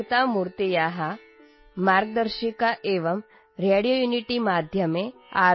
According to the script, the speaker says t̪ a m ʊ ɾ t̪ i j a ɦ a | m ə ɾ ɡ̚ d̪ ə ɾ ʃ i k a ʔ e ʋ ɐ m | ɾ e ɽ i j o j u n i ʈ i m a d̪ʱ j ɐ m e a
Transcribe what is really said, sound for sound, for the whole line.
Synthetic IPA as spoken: t̪ a m u ɾ t̪ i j a ɦ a | m a ɾ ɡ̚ d̪ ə ɾ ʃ i k a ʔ e ʋ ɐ m | ɾ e ɽ i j o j u n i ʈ i m a d̪ʱ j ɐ m e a